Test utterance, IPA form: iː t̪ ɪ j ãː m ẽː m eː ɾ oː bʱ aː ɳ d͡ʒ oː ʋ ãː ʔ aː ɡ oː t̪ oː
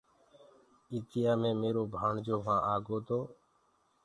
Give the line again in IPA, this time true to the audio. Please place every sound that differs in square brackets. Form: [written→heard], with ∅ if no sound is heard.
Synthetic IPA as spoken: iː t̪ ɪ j [ãː→aː] m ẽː m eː ɾ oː bʱ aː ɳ d͡ʒ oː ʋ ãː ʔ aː ɡ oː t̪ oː

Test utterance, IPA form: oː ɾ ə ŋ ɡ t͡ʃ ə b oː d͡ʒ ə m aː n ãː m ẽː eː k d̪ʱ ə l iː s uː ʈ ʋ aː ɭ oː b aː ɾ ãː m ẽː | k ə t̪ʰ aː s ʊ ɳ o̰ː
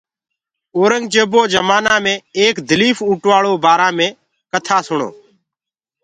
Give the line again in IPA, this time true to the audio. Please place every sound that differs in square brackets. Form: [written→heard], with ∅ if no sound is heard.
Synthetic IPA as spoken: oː ɾ ə ŋ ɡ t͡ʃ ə b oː d͡ʒ ə m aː n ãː m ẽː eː k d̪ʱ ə l iː [s→f] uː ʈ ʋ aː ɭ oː b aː ɾ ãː m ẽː | k ə t̪ʰ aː s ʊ ɳ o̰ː

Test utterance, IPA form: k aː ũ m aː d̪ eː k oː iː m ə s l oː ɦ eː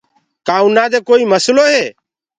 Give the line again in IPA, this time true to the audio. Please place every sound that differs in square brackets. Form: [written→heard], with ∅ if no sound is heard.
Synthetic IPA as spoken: k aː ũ [m→n] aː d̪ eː k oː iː m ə s l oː ɦ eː

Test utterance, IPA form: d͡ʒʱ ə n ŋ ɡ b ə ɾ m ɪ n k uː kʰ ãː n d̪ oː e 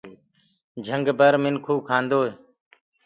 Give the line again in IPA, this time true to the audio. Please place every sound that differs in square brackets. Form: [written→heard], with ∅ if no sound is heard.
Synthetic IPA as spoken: d͡ʒʱ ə [n→∅] ŋ ɡ b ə ɾ m ɪ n [k→kʰ] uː kʰ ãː n d̪ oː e

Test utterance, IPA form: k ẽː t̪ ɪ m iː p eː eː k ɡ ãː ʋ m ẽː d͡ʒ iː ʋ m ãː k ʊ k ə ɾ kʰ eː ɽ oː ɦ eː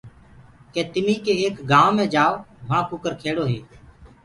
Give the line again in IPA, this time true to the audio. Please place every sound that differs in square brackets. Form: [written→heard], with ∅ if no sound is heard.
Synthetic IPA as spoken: k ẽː t̪ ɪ m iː [p→k] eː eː k ɡ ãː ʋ m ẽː d͡ʒ [iː→aː] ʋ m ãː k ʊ k ə ɾ kʰ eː ɽ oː ɦ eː

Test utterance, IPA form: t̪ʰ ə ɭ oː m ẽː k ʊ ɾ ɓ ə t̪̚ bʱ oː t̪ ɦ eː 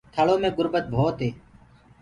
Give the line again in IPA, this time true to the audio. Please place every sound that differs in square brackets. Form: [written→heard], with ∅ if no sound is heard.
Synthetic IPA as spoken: t̪ʰ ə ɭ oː m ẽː [k→ɡ] ʊ ɾ [ɓ→b] ə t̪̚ bʱ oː t̪ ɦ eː

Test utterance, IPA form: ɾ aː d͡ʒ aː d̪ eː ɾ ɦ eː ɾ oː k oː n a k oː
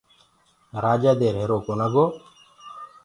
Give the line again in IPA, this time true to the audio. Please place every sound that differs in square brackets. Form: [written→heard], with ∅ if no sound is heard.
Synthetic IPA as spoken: ɾ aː d͡ʒ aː d̪ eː ɾ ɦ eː ɾ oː k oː n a [k→ɡ] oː

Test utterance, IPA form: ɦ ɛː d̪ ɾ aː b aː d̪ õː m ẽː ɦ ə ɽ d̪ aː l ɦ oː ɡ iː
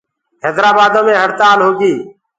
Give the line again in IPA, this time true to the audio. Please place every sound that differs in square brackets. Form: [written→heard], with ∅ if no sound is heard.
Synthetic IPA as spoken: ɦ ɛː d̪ ɾ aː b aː d̪ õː m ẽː ɦ ə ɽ [d̪→t̪] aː l ɦ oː ɡ iː

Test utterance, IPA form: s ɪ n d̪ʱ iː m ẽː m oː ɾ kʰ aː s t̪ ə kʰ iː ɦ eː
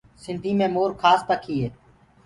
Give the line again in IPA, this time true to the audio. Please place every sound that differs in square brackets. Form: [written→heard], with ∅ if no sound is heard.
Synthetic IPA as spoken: s ɪ n d̪ʱ iː m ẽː m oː ɾ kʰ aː s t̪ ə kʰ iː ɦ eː

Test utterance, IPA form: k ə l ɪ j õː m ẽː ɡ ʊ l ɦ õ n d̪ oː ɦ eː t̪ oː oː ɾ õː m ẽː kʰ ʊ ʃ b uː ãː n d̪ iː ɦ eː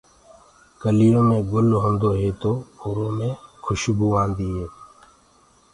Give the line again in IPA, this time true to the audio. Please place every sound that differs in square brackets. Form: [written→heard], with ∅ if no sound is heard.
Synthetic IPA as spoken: k ə l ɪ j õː m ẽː ɡ ʊ l ɦ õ n d̪ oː ɦ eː t̪ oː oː ɾ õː m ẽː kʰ ʊ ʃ b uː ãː n d̪ iː ɦ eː

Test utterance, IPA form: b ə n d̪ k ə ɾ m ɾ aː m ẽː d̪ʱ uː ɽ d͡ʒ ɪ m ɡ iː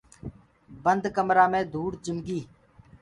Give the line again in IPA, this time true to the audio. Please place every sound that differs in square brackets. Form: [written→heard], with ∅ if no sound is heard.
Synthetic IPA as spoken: b ə n d̪ k ə [ɾ→∅] m ɾ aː m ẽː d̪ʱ uː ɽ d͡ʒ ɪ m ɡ iː

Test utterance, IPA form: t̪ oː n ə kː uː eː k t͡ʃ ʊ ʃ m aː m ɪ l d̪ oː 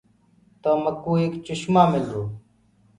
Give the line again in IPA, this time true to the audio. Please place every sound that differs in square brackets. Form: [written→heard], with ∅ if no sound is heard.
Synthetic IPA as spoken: t̪ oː [n→m] ə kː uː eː k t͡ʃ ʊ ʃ m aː m ɪ l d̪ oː

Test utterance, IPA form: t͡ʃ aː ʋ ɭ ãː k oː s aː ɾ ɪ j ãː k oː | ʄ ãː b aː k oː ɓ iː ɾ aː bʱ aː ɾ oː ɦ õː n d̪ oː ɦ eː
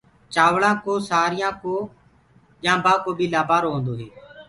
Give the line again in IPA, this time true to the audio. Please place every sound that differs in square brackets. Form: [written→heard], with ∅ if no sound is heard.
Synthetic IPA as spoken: t͡ʃ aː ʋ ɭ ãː k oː s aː ɾ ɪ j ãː k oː | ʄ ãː b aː k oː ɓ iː [ɾ→l] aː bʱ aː ɾ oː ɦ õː n d̪ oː ɦ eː

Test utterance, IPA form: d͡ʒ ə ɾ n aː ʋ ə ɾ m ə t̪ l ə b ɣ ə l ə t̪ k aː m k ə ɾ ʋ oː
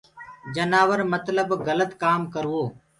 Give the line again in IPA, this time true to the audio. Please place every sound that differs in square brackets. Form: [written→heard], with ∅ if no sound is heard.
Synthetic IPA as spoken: d͡ʒ ə [ɾ→∅] n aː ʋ ə ɾ m ə t̪ l ə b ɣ ə l ə t̪ k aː m k ə ɾ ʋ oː

